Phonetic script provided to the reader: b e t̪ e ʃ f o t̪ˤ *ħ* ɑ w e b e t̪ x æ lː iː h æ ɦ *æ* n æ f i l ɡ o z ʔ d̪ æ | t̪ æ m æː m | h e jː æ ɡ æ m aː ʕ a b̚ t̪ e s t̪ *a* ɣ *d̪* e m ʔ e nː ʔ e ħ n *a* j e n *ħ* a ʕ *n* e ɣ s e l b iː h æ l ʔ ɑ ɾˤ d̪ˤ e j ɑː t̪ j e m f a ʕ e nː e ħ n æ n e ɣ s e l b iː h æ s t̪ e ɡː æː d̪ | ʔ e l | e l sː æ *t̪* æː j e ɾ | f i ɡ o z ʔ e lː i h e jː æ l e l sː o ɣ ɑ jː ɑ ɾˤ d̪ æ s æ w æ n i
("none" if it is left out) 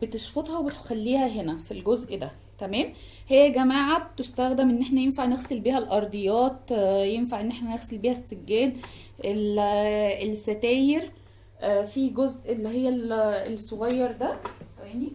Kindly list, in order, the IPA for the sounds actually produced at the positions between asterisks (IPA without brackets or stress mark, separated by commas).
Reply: h, e, æ, d̪, æ, f, n, t̪